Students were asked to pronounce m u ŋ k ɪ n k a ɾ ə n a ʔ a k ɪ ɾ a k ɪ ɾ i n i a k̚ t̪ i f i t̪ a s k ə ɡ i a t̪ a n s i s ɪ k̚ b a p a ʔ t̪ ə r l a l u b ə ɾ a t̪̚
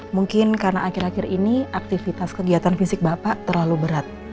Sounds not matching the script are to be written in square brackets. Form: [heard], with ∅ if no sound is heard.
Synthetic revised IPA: m u ŋ k ɪ n k a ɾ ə n a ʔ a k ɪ ɾ a k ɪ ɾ i n i a k̚ t̪ i f i t̪ a s k ə ɡ i a t̪ a n [f] i s ɪ k̚ b a p a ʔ t̪ ə r l a l u b ə ɾ a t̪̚

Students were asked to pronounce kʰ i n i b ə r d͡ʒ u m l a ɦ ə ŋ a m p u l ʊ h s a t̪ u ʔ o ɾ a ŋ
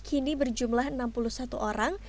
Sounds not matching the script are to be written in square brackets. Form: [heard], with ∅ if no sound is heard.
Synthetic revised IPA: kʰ i n i b ə r d͡ʒ u m l a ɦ ə [n] a m p u l [u] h s a t̪ u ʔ o ɾ a ŋ

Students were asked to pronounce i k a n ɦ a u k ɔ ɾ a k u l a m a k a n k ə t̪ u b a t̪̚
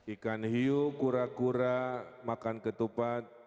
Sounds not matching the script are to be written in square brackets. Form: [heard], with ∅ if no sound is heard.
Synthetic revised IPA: i k a n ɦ [i] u k [u] ɾ a k u [ɾ] a m a k a n k ə t̪ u [p] a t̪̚

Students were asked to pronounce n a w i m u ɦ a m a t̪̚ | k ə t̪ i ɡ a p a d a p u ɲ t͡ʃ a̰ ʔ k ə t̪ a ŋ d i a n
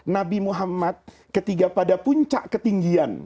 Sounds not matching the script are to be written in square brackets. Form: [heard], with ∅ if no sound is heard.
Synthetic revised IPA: n a [b] i m u ɦ a m a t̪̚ | k ə t̪ i ɡ a p a d a p u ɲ t͡ʃ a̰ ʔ k ə t̪ [i] ŋ [ɡ] i a n

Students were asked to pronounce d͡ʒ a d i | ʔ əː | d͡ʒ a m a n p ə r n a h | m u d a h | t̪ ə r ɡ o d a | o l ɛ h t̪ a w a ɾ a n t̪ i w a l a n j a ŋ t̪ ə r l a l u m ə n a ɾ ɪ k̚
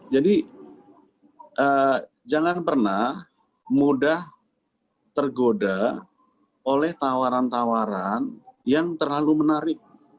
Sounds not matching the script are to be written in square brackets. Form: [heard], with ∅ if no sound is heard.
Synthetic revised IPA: d͡ʒ a d i | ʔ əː | d͡ʒ a [ŋ] a n p ə r n a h | m u d a h | t̪ ə r ɡ o d a | o l ɛ h t̪ a w a ɾ a n t̪ [a] w a [ɾ] a n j a ŋ t̪ ə r l a l u m ə n a ɾ ɪ k̚

